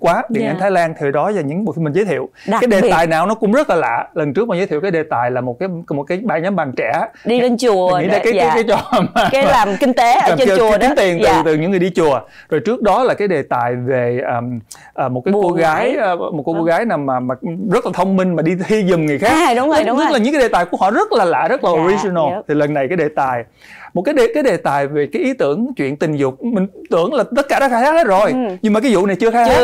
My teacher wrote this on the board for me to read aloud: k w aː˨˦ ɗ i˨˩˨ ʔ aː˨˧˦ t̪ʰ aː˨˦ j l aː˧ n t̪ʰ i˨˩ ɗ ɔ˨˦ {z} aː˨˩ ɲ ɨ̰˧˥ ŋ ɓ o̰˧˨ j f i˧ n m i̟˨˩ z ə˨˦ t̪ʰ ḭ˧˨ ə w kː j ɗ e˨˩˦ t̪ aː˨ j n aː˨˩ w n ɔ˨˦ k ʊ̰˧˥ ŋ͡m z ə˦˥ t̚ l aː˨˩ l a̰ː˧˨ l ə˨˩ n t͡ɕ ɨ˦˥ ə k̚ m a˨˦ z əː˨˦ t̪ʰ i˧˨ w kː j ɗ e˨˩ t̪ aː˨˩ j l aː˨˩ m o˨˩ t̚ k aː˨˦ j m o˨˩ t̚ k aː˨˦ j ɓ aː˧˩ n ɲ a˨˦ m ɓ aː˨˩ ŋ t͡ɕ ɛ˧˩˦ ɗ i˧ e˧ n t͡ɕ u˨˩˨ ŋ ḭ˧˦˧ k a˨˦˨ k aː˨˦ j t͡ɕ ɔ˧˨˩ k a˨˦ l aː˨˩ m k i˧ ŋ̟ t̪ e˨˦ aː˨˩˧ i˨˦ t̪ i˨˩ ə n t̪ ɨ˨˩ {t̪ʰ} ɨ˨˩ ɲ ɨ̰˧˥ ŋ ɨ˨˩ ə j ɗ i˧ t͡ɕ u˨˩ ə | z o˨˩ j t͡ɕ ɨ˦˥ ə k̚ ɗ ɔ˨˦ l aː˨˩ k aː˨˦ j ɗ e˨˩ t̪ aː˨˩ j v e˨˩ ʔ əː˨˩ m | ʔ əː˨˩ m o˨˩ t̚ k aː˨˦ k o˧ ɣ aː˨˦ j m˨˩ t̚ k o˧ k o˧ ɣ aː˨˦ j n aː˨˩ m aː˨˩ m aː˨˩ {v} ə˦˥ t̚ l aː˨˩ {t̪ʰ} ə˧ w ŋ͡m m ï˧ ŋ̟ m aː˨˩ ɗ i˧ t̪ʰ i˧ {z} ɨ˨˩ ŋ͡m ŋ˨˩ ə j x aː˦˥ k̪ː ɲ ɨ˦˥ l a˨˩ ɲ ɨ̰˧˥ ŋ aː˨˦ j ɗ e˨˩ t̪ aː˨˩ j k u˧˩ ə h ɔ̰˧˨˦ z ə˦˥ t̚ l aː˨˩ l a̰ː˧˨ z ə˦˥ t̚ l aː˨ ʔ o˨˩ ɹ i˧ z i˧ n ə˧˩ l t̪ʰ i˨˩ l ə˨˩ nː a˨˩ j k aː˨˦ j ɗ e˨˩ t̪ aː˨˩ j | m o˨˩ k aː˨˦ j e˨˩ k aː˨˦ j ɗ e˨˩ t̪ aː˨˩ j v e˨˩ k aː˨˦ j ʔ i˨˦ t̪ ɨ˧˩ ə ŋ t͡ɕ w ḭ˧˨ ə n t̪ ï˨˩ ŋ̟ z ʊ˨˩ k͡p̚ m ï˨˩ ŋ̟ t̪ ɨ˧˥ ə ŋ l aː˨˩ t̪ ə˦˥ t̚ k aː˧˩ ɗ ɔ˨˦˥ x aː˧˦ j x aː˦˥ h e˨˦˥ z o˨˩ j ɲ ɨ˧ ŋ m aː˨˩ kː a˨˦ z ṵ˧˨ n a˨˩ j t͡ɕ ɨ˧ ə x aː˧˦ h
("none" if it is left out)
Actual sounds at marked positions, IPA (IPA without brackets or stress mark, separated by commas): z, t̪, z, t̪ʰ, z